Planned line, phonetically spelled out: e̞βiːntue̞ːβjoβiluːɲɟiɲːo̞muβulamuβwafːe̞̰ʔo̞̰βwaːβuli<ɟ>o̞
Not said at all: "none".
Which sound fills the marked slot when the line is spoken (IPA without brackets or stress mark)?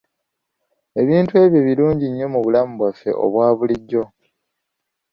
ɟː